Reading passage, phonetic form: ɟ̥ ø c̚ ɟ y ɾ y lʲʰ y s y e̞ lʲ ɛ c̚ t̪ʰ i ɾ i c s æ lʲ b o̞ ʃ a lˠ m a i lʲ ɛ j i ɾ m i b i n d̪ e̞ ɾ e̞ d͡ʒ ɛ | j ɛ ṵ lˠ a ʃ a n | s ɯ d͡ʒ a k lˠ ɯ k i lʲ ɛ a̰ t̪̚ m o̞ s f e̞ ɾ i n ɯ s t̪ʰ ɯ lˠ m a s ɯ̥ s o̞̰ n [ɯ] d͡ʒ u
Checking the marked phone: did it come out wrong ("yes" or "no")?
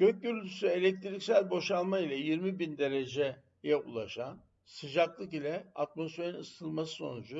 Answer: yes